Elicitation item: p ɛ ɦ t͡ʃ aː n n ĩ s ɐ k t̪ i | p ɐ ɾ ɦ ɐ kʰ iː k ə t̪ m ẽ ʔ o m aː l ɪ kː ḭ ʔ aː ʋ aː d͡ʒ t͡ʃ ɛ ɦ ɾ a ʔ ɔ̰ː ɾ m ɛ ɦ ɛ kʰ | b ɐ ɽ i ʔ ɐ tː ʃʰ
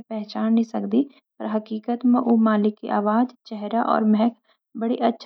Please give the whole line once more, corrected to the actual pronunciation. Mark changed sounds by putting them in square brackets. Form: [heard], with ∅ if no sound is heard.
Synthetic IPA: p ɛ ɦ t͡ʃ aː n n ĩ s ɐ k [d̪] i | p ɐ ɾ ɦ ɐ [k] iː k ə t̪ m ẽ ʔ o m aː l ɪ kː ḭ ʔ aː ʋ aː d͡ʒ t͡ʃ ɛ ɦ ɾ a ʔ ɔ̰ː ɾ m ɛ ɦ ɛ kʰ | b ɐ ɽ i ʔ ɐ tː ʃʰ